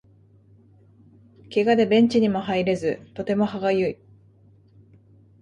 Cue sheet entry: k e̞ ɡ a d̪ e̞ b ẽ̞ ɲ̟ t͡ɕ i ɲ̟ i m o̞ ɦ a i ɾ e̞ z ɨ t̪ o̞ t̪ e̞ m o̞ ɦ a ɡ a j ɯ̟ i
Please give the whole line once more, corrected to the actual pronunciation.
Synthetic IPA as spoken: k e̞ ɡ a d̪ e̞ b ẽ̞ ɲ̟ t͡ɕ i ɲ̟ i m o̞ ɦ a i ɾ e̞ z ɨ t̪ o̞ t̪ e̞ m o̞ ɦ a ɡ a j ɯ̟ i

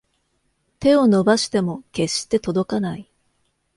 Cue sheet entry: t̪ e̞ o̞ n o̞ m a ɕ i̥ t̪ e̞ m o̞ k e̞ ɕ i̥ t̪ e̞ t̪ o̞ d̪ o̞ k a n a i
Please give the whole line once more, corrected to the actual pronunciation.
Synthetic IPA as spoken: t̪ e̞ o̞ n o̞ b a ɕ i̥ t̪ e̞ m o̞ k e̞ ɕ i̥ t̪ e̞ t̪ o̞ d̪ o̞ k a n a i

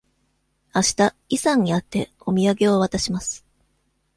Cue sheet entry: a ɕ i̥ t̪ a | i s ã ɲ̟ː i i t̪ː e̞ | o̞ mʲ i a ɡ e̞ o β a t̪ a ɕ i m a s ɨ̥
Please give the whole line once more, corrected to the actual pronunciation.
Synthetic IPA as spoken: a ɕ i̥ t̪ a | i s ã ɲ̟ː i a t̪ː e̞ | o̞ mʲ i a ɡ e̞ o β a t̪ a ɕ i m a s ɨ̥

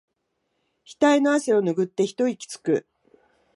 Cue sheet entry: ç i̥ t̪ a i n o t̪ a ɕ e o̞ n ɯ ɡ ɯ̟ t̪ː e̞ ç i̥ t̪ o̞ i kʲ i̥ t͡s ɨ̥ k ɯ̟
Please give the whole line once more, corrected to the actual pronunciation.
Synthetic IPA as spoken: ç i̥ t̪ a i n o a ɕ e o̞ n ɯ ɡ ɯ̟ t̪ː e̞ ç i̥ t̪ o̞ i kʲ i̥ t͡s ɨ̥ k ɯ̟

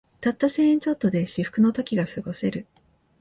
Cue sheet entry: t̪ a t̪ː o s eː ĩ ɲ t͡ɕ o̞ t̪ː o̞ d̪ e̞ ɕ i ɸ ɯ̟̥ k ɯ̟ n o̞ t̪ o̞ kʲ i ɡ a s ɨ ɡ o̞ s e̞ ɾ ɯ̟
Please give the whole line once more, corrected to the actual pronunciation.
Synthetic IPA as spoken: t̪ a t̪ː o s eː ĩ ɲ t͡ɕ o̞ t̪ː o̞ d̪ e̞ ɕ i ɸ ɯ̟̥ k ɯ̟ n o̞ t̪ o̞ kʲ i ɡ a s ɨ ɡ o̞ s e̞ ɾ ɯ̟

